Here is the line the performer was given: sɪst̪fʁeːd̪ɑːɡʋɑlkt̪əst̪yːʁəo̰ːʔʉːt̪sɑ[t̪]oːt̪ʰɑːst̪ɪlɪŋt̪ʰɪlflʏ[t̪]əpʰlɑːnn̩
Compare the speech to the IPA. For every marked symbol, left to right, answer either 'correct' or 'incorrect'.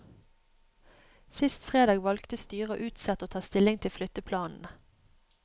correct, correct

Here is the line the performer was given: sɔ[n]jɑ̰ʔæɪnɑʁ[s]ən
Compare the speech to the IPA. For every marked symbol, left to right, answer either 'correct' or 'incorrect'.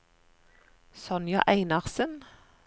correct, correct

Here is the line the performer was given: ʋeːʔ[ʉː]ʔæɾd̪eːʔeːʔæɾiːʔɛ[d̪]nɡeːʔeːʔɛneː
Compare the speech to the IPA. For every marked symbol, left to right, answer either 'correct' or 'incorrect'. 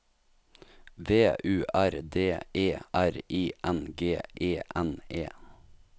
correct, incorrect: none

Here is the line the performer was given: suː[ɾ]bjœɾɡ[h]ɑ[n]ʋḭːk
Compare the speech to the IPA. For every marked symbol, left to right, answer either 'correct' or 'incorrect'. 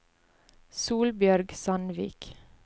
incorrect: l, incorrect: s, correct

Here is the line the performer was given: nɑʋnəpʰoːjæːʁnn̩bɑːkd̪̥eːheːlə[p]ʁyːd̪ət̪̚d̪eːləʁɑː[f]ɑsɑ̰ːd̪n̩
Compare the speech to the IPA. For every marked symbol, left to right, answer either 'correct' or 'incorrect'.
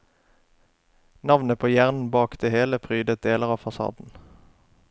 incorrect: pʰ, correct

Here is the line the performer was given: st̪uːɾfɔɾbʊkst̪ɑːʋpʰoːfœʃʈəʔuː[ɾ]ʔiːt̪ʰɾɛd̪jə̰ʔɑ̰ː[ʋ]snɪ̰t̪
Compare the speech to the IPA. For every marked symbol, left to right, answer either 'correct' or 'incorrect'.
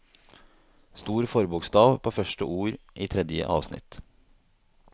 correct, correct

